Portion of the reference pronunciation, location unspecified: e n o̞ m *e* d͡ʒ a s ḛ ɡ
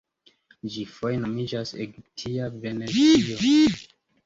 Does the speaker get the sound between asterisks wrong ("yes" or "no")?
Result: yes